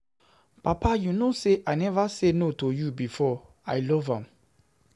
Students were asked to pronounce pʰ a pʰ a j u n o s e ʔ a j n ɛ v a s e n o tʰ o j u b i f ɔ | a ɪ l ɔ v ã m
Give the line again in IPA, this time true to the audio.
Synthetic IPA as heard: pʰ a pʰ a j u n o s e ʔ a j n ɛ v a s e n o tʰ o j u b i f ɔ | a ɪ l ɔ v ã m